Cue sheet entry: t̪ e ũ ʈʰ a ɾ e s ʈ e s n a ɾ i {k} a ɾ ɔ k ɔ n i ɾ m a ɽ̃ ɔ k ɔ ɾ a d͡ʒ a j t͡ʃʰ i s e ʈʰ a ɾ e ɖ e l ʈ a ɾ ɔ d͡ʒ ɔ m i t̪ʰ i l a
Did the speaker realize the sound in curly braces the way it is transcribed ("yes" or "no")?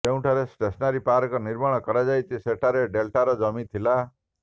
no